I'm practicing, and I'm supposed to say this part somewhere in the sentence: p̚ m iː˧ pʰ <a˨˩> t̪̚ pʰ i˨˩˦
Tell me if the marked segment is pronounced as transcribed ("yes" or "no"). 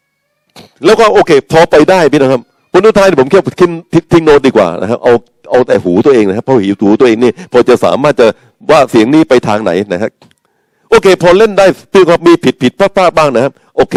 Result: no